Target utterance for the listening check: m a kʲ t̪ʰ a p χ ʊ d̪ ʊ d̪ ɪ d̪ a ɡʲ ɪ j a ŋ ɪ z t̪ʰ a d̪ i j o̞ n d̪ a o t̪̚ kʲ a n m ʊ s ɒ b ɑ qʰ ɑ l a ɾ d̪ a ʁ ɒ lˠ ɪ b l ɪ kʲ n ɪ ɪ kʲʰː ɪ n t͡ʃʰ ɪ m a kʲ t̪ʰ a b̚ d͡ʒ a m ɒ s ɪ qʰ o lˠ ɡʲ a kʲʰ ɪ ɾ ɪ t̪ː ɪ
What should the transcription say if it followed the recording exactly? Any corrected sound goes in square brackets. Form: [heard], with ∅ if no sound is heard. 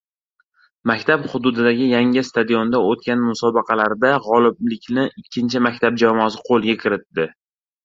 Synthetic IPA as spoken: m a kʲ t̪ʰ a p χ ʊ d̪ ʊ d̪ ɪ d̪ a ɡʲ ɪ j a ŋ ɪ [s] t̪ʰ a d̪ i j o̞ n d̪ a o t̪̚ kʲ a n m ʊ s ɒ b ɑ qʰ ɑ l a ɾ d̪ a ʁ ɒ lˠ ɪ b l ɪ kʲ n ɪ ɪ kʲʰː ɪ n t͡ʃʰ ɪ m a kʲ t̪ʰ a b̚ d͡ʒ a m ɒ s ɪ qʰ o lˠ ɡʲ a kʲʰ ɪ ɾ ɪ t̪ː ɪ